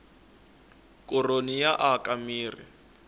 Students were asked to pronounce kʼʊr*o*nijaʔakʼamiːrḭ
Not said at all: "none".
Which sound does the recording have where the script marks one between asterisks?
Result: o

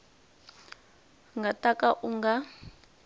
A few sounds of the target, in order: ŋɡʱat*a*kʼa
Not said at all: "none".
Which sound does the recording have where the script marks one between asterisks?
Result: a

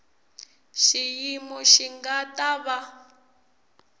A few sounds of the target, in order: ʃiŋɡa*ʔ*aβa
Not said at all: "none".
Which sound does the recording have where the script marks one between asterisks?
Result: t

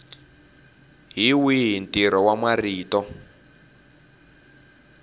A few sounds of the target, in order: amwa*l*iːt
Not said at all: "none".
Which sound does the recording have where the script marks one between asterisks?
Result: r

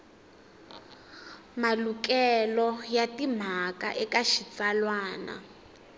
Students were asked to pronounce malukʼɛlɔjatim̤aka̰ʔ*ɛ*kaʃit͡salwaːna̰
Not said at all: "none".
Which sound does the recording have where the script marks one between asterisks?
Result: ɛ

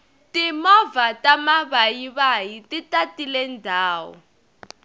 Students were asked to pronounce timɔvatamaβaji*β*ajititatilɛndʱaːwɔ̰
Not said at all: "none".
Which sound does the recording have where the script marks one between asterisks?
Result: β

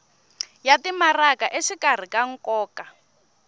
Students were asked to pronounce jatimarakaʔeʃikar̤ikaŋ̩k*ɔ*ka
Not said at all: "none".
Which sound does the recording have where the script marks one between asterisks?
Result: ɔː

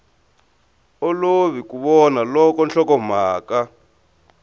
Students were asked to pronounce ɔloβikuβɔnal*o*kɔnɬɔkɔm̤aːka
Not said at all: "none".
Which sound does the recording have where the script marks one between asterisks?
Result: ɔ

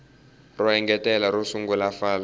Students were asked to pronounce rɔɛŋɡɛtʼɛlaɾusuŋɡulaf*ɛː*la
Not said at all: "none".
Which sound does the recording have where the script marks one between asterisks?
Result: aː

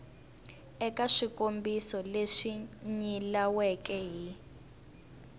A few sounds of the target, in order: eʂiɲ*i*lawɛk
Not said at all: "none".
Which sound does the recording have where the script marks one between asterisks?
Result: i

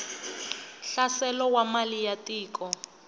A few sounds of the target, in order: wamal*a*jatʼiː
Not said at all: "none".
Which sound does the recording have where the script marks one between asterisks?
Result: i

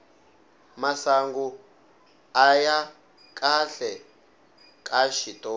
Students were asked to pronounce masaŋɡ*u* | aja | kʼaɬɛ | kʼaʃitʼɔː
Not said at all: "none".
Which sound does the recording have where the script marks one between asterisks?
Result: u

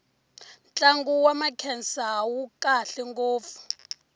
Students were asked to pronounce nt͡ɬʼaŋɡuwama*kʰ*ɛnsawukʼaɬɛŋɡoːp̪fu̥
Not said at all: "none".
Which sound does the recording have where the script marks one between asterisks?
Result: kʰ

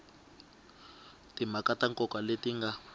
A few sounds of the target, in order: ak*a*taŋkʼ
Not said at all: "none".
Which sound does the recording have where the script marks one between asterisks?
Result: a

